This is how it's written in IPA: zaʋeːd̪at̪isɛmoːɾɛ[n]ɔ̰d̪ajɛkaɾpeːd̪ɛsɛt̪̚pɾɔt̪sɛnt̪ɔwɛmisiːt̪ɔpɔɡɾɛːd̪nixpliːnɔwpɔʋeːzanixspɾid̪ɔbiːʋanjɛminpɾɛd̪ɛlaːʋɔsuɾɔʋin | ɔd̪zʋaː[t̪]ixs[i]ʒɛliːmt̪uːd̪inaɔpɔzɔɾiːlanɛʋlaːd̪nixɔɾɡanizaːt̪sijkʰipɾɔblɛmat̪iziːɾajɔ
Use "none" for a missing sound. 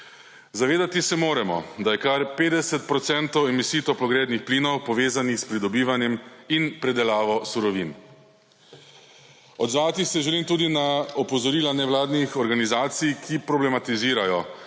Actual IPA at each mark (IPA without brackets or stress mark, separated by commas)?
m, t̪, ɛ